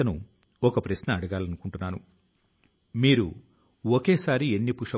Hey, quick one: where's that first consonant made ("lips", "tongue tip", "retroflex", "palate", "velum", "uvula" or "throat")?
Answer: tongue tip